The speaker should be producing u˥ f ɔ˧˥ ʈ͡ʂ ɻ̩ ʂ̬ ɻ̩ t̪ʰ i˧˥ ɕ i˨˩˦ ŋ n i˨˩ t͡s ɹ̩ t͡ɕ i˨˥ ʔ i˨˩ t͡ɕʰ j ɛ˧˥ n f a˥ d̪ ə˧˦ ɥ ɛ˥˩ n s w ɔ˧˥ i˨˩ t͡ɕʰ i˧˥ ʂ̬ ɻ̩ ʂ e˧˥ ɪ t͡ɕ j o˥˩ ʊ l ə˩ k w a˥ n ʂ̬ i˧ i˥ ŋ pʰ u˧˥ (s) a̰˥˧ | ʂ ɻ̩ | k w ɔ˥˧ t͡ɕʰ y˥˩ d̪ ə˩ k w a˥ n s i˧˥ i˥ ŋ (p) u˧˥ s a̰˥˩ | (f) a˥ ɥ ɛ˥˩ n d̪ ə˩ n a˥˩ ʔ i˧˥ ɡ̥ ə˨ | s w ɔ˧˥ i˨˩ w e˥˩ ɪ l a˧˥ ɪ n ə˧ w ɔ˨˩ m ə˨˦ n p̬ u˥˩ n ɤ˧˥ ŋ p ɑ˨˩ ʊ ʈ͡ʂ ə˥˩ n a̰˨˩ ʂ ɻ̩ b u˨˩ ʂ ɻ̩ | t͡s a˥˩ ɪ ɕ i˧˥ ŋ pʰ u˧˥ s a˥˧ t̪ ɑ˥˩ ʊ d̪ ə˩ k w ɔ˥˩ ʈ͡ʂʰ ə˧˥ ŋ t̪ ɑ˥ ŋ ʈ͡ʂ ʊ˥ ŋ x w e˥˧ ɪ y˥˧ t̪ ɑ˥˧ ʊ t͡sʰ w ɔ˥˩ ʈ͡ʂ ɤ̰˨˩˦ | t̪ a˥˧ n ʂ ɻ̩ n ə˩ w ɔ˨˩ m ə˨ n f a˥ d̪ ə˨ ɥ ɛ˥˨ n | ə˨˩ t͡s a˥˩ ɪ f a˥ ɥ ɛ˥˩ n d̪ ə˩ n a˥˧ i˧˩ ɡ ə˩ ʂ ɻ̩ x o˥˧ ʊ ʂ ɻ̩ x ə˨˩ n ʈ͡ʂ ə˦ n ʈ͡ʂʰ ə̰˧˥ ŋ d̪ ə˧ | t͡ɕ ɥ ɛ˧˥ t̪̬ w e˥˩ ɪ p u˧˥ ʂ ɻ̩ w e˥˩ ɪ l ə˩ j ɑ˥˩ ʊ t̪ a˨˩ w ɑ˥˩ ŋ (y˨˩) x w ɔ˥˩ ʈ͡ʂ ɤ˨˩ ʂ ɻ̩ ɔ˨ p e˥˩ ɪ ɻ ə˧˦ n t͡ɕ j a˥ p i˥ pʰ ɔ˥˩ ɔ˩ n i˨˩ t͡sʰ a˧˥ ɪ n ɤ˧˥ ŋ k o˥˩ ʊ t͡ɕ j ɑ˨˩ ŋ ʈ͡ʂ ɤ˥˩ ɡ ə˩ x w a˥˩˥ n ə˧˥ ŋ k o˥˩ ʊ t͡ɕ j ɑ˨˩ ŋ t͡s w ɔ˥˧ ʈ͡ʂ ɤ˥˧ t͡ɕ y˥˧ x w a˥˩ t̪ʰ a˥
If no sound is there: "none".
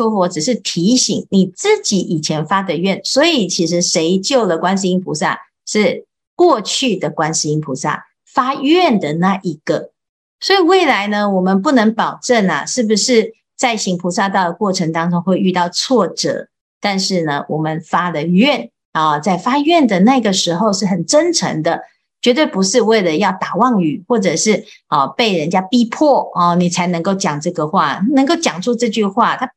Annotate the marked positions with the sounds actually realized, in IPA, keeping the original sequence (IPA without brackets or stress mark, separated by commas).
s, pʰ, f, y˨˩